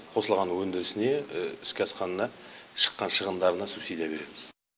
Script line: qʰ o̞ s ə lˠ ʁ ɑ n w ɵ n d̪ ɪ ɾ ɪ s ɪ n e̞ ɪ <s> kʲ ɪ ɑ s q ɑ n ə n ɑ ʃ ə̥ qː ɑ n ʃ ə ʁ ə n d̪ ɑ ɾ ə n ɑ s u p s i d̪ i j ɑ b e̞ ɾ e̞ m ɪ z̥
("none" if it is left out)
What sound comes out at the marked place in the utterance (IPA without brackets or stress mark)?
s